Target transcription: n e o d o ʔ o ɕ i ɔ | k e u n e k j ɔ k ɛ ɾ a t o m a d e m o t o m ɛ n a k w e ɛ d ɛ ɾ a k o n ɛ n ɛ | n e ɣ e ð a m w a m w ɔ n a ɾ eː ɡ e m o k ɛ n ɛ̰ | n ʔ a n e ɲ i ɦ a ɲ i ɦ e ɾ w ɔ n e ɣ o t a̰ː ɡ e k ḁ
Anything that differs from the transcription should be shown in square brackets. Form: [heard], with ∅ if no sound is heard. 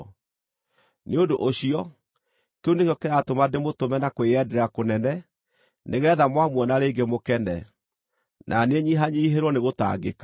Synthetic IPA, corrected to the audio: n e o d o ʔ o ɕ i ɔ | k e u n e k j ɔ k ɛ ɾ a t o m a d e m o t o m ɛ n a k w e ɛ d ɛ ɾ a k o n ɛ n ɛ | n e ɣ [ɛ] ð a m w a m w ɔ n a ɾ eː ɡ e m o k ɛ n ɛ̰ | n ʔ a n e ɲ i ɦ a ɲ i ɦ e ɾ w ɔ n e ɣ o t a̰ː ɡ e k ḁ